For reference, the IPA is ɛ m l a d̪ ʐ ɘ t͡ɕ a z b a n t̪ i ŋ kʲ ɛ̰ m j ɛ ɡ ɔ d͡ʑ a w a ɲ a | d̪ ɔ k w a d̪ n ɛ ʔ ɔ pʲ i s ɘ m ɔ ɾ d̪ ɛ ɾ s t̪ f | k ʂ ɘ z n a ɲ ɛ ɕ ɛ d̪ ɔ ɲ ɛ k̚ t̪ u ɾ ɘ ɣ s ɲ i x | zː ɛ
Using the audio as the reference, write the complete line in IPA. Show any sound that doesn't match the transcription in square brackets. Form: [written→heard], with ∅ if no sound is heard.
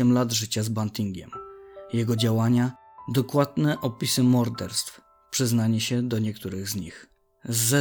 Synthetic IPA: ɛ m l a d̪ ʐ ɘ t͡ɕ a z b a n t̪ i ŋ [kʲ→ɡʲ] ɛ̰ m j ɛ ɡ ɔ d͡ʑ a w a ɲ a | d̪ ɔ k w a d̪ n ɛ ʔ ɔ pʲ i s ɘ m ɔ ɾ d̪ ɛ ɾ s t̪ f | [k→p] ʂ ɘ z n a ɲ ɛ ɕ ɛ d̪ ɔ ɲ ɛ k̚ t̪ u ɾ ɘ ɣ [s→z] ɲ i x | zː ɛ